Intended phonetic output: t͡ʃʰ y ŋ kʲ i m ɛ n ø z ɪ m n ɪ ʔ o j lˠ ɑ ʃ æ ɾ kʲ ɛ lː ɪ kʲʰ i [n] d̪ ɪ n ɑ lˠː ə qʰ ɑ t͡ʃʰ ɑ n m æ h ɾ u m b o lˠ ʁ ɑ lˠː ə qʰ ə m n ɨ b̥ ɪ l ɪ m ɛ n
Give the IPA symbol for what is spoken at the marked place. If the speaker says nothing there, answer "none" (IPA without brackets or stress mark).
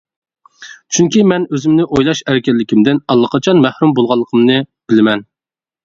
m